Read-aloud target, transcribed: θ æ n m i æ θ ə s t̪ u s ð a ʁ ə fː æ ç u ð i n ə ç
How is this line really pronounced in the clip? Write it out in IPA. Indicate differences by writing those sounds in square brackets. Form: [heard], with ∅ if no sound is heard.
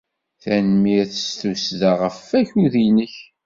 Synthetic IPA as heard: θ æ n m i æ θ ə s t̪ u s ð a ʁ ə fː æ ç u ð i n ə ç